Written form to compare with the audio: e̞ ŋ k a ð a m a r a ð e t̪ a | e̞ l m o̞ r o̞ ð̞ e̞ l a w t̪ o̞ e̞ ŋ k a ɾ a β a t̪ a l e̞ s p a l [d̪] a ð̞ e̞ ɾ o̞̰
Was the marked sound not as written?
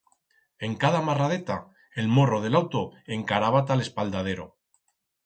no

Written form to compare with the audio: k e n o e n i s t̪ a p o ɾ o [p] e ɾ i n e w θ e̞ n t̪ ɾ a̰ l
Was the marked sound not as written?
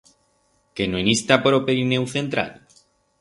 no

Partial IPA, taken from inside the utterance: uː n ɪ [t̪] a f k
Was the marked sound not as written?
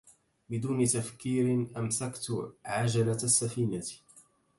no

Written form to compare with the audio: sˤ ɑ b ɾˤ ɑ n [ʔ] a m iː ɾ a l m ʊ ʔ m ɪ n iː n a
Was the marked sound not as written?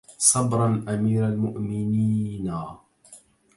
no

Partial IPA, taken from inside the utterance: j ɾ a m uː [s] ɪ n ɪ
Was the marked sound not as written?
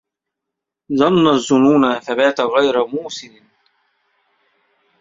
no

